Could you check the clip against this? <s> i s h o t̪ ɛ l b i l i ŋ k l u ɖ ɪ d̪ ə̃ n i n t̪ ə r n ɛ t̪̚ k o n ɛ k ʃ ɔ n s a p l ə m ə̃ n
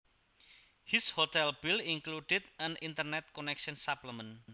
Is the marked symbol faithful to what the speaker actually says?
no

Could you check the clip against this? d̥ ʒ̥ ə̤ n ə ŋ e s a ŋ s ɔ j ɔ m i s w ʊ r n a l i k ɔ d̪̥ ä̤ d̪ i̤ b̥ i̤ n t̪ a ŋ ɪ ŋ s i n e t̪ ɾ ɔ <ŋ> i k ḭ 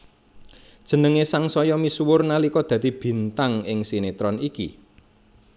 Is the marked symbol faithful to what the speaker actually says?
no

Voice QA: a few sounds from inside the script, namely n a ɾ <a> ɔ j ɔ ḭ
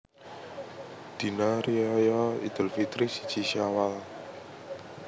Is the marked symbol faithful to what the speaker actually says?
no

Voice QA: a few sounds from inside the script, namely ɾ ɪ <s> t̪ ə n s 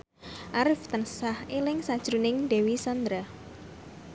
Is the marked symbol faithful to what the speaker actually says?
no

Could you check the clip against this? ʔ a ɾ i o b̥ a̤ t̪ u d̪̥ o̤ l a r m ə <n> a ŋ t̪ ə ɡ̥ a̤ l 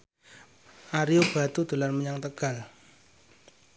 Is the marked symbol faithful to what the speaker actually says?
no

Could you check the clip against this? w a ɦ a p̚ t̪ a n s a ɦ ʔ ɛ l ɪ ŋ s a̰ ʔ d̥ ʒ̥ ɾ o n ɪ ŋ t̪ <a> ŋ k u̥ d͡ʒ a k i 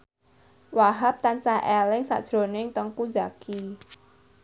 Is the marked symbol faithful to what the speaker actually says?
no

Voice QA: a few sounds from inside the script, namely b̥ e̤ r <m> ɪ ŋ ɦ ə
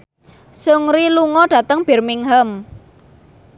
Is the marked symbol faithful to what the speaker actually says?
yes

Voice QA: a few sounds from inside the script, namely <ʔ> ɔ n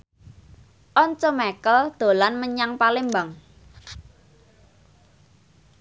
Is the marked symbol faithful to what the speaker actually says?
yes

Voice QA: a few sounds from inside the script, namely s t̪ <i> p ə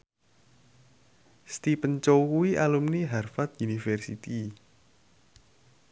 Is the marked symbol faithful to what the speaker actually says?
yes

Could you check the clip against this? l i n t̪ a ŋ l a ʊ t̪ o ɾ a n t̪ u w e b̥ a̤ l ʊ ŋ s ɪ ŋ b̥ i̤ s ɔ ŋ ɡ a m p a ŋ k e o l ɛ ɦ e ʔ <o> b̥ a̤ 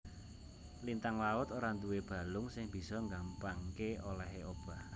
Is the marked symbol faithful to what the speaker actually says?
yes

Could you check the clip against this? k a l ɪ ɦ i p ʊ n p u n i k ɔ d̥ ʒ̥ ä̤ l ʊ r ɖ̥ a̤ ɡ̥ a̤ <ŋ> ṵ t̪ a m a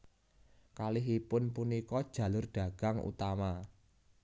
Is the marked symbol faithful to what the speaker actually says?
yes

